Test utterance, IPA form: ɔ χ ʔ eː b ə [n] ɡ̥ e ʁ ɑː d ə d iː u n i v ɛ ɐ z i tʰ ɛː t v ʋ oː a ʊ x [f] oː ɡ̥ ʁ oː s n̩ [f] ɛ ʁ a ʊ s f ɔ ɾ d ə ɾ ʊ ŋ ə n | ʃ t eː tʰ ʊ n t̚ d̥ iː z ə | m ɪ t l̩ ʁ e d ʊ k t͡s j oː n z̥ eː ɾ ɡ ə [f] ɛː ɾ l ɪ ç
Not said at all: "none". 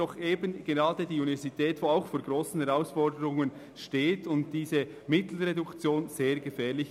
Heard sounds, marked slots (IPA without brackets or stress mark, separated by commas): n, f, h, f